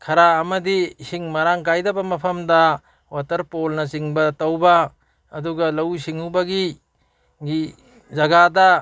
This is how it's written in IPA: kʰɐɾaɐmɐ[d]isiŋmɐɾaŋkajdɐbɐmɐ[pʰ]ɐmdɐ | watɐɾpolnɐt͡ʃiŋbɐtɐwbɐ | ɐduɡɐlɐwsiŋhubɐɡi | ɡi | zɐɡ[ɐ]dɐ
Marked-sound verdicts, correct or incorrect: correct, correct, incorrect

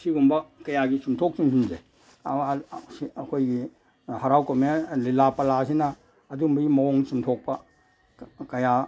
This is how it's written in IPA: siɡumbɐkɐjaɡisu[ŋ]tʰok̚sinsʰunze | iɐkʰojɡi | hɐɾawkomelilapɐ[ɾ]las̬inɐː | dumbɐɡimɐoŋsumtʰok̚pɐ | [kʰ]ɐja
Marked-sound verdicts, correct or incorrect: incorrect, incorrect, incorrect

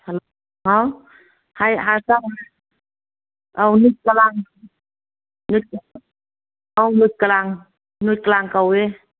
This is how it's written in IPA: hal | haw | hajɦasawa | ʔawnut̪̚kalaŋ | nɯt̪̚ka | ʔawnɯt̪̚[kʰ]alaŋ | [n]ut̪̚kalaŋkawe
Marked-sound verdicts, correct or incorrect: incorrect, correct

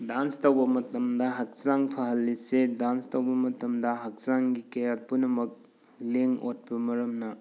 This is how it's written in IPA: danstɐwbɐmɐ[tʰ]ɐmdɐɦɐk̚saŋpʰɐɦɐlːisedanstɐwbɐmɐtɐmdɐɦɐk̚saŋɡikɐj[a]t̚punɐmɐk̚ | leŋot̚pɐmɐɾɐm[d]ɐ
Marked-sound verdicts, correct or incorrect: incorrect, correct, incorrect

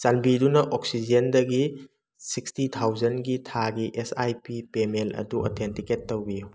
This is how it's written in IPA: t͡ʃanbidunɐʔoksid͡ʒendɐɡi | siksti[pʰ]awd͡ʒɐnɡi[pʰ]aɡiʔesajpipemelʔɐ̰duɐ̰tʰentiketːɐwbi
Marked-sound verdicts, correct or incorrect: incorrect, incorrect

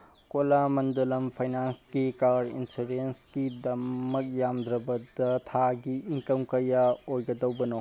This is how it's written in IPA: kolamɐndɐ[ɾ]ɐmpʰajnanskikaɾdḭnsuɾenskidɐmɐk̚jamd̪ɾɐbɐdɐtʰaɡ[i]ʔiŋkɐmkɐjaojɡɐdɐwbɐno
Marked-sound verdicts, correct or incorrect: incorrect, correct

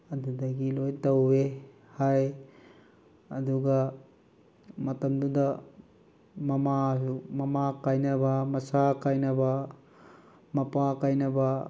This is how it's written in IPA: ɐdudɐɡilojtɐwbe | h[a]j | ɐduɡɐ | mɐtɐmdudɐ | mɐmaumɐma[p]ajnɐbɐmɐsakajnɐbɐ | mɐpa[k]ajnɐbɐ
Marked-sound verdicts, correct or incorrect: correct, incorrect, correct

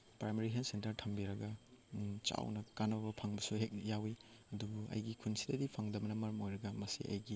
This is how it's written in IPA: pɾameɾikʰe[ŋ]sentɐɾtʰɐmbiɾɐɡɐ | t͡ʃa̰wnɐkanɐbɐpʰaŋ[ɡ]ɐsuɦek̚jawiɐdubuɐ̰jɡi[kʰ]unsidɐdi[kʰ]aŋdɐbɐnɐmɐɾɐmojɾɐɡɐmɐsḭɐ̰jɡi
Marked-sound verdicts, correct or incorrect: incorrect, incorrect, correct, incorrect

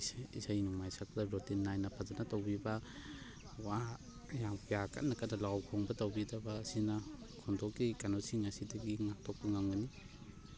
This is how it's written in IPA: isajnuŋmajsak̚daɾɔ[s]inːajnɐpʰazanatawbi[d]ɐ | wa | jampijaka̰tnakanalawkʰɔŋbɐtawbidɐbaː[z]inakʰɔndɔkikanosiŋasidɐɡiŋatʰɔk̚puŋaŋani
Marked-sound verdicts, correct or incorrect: incorrect, incorrect, incorrect

